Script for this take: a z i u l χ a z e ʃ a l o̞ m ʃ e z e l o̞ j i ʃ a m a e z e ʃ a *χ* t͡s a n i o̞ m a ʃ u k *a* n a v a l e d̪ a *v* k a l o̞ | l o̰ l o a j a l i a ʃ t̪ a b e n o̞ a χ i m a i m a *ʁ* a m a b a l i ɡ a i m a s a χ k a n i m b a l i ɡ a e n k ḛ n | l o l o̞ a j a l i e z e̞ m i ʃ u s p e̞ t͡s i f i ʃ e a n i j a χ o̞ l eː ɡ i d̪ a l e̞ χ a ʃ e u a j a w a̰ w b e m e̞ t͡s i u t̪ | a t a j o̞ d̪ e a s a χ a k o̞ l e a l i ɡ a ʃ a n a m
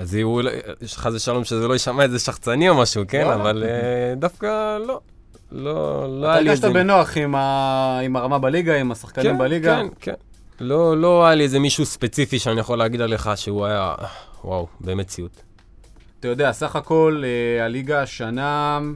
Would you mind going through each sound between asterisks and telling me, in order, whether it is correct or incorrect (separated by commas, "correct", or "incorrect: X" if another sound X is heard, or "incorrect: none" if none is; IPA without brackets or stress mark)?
correct, incorrect: e, incorrect: f, correct